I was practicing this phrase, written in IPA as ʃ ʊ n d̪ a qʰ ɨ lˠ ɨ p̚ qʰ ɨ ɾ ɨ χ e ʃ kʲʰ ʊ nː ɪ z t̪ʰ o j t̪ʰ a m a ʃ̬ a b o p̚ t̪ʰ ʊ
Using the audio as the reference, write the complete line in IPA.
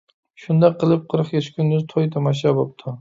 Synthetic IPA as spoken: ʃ ʊ n d̪ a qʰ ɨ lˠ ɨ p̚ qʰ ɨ ɾ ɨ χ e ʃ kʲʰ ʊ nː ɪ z t̪ʰ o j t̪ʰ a m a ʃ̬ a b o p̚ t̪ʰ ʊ